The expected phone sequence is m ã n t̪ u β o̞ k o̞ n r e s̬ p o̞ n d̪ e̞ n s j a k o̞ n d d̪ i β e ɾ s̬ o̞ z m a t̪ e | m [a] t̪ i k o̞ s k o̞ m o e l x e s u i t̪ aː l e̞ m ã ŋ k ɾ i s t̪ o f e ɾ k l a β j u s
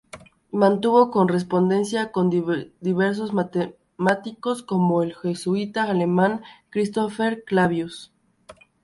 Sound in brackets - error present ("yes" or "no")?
no